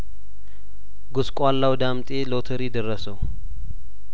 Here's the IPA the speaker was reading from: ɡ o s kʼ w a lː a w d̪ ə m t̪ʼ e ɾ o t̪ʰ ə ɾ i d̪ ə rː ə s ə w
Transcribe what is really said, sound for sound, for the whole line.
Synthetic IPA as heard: ɡ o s kʼ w a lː a w d̪ a m t̪ʼ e l o t̪ʰ ə ɾ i d̪ ə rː ə s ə w